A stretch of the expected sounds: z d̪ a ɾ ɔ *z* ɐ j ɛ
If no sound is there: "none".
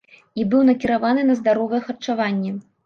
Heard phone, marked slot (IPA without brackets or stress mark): v